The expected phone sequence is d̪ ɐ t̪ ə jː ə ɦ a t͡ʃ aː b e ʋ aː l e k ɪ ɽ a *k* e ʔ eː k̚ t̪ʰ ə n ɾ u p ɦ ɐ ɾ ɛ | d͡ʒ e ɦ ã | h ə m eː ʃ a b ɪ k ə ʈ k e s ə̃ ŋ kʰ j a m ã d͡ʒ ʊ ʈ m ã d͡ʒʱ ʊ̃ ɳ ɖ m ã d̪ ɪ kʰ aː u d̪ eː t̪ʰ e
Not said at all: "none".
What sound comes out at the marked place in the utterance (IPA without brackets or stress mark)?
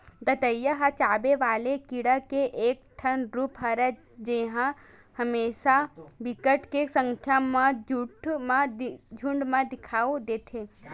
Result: k